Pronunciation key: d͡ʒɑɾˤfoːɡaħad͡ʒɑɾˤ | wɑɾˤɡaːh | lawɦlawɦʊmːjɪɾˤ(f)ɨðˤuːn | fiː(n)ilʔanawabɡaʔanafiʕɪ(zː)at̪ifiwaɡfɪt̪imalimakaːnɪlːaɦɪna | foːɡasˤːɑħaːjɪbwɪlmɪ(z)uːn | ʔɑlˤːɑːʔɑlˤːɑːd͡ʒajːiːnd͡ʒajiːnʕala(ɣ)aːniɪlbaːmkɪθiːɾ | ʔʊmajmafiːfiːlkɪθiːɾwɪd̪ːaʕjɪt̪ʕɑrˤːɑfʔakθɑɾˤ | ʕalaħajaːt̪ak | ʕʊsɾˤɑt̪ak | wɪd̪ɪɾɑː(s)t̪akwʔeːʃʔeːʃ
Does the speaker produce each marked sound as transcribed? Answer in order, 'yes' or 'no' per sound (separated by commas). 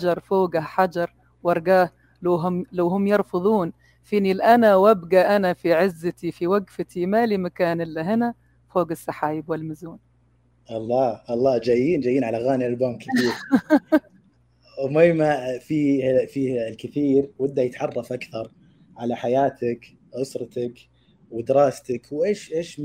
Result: yes, yes, yes, yes, yes, yes